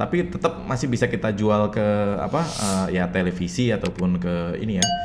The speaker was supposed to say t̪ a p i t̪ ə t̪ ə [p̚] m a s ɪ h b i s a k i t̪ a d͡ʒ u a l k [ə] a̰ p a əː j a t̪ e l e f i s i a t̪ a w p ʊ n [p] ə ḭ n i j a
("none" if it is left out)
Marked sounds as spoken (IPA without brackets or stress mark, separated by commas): p̚, ə, k